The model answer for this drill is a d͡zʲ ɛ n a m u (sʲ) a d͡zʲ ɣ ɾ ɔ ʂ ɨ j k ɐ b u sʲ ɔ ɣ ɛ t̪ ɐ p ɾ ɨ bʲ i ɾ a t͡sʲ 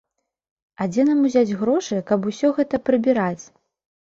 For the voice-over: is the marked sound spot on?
no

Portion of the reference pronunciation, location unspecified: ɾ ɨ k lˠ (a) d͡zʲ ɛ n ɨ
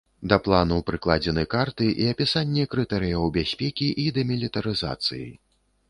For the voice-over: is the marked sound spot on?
yes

